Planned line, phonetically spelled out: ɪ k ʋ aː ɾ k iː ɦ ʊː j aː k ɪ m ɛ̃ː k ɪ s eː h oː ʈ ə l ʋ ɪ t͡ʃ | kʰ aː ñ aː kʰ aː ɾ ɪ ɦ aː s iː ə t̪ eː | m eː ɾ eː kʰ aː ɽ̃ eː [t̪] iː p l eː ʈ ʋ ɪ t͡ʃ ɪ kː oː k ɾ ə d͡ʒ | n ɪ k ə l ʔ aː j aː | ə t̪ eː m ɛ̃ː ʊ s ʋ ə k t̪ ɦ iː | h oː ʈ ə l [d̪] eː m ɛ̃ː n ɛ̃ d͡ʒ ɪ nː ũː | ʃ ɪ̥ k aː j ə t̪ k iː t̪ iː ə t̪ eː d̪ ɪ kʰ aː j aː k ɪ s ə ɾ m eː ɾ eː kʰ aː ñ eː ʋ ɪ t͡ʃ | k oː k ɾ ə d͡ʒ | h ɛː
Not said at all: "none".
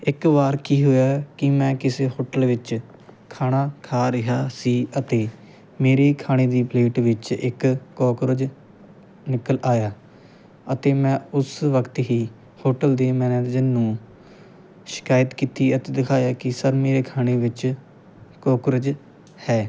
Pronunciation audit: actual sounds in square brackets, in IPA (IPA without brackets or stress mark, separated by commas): d̪, d̪